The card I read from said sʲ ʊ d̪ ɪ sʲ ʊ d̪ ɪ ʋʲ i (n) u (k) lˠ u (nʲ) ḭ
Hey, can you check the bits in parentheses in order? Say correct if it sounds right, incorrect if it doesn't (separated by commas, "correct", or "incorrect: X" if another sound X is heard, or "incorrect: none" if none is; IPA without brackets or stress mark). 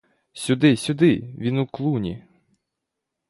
correct, correct, correct